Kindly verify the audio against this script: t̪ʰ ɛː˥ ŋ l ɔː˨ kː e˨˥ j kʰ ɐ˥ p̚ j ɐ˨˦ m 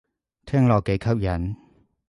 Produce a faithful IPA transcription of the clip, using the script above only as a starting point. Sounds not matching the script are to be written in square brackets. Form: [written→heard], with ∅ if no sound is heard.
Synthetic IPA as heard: t̪ʰ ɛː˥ ŋ l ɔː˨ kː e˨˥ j kʰ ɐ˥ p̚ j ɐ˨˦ [m→n]

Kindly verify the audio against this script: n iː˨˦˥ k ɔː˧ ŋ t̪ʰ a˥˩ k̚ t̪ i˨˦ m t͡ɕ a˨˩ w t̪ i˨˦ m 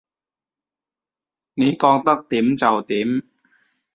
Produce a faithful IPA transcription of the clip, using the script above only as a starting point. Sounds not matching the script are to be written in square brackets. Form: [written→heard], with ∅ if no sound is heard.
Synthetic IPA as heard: n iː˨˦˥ k ɔː˧ ŋ [t̪ʰ→t̪] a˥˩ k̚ t̪ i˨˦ m t͡ɕ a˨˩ w t̪ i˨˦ m

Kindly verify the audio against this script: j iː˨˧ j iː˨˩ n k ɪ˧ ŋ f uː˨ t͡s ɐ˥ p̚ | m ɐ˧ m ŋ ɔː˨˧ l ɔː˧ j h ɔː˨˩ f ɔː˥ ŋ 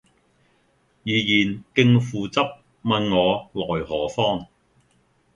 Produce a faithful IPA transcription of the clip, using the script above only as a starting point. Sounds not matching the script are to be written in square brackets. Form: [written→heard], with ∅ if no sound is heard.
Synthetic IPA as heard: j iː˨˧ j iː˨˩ n k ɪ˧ ŋ f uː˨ t͡s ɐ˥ p̚ | m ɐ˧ [m→n] ŋ ɔː˨˧ l [ɔː˧→ɔː˨˩] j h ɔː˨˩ f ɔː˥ ŋ

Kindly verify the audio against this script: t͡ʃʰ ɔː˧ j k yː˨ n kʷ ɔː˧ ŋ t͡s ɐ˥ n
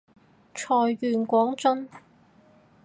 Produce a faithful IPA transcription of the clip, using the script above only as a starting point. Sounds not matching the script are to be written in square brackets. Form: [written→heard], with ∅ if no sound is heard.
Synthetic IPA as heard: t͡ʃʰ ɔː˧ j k yː˨ n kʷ [ɔː˧→ɔː˨˥] ŋ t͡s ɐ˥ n

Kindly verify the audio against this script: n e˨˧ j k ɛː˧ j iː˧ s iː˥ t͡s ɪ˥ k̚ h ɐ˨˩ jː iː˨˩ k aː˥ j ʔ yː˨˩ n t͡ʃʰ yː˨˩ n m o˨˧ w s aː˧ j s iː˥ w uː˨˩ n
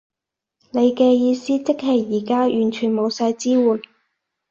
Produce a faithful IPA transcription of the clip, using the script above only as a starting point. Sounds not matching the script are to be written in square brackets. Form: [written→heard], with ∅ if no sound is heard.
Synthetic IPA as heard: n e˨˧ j k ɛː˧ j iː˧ s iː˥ t͡s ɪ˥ k̚ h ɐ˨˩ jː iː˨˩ k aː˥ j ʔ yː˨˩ n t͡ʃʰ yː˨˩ n m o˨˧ w s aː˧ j [s→t͡s] iː˥ w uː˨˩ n

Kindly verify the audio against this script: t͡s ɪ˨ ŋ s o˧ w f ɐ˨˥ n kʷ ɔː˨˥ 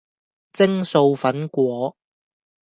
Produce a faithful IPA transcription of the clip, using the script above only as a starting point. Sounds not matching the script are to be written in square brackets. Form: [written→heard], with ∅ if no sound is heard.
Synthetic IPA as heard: t͡s [ɪ˨→ɪ˥] ŋ s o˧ w f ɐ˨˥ n kʷ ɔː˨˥

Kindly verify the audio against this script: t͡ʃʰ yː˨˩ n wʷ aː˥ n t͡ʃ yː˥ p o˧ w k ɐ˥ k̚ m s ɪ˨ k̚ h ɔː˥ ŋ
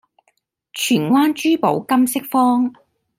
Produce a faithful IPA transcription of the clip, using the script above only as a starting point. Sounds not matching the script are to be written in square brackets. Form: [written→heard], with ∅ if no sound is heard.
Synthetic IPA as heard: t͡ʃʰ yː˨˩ n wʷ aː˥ n t͡ʃ yː˥ p [o˧→o˨˥] w k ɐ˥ [k̚→∅] m s [ɪ˨→ɪ˥] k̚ [h→f] ɔː˥ ŋ

